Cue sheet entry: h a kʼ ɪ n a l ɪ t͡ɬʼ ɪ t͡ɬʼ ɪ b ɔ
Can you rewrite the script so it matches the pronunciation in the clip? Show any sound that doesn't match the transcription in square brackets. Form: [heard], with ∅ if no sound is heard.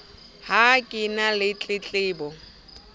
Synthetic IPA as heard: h a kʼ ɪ n a l ɪ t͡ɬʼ ɪ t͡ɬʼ [ɪː] b ɔ